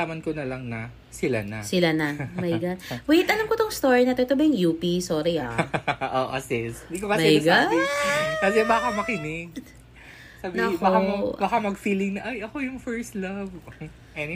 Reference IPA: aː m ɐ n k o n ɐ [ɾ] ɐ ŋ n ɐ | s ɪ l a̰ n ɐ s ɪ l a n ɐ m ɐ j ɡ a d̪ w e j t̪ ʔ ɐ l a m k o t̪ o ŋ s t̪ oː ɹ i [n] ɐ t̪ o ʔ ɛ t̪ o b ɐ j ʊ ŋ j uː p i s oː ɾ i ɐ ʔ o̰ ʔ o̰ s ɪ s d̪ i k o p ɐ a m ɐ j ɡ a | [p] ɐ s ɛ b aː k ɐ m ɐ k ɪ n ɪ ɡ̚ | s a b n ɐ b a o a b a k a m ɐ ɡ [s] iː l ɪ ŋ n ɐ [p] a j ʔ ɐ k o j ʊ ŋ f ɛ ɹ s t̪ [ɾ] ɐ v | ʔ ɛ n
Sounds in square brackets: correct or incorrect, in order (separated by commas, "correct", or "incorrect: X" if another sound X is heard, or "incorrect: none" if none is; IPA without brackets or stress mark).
incorrect: l, correct, incorrect: k, incorrect: f, incorrect: ʔ, incorrect: l